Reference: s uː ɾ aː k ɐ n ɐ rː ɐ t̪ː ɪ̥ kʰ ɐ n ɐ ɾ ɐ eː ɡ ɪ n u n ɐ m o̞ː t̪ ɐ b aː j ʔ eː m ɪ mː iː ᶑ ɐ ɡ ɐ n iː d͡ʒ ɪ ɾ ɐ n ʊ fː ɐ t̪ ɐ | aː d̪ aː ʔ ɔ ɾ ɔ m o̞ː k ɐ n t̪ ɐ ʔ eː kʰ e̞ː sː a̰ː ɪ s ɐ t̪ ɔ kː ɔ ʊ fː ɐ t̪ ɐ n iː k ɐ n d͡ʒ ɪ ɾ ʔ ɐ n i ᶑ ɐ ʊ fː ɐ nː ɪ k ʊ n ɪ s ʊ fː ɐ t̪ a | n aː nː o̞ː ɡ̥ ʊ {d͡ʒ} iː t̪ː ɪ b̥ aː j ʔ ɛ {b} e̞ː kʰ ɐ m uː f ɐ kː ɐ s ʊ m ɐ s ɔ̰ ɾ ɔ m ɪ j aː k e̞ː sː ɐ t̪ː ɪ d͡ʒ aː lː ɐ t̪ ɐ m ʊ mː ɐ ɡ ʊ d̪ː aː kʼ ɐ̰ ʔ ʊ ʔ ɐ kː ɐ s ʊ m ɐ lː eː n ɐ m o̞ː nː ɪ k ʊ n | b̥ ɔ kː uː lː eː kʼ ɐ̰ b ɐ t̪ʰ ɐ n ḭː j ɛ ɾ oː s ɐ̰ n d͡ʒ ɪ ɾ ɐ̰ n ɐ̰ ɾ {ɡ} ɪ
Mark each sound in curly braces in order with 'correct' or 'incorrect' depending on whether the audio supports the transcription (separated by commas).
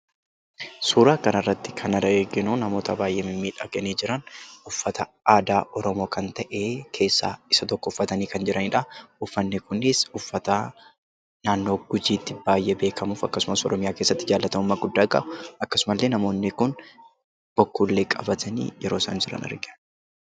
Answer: correct, correct, correct